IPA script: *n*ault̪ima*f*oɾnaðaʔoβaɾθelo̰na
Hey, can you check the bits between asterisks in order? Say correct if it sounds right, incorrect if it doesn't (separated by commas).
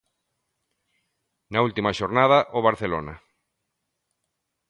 correct, incorrect